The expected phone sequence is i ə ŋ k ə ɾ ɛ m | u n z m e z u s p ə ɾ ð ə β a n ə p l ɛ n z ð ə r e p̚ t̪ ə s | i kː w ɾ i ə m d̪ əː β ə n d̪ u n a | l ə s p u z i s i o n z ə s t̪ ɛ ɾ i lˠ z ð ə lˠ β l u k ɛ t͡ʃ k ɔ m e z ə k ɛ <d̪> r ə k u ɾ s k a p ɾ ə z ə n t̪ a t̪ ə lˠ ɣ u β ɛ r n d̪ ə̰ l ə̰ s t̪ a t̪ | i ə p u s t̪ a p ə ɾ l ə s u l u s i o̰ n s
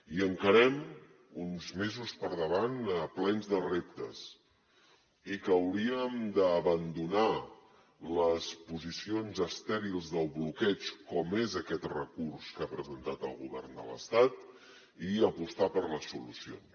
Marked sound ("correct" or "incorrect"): incorrect